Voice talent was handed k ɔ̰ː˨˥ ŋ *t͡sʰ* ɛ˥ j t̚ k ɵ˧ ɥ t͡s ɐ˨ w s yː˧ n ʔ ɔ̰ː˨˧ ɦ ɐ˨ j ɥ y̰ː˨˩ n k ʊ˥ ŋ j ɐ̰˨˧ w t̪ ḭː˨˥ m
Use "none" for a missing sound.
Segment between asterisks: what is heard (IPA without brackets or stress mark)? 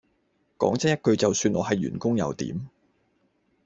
t͡s